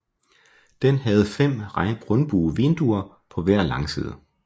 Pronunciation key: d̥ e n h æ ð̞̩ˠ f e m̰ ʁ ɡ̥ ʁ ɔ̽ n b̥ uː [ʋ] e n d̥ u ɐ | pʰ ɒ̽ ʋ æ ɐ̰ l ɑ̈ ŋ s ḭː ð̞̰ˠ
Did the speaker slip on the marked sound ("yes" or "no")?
no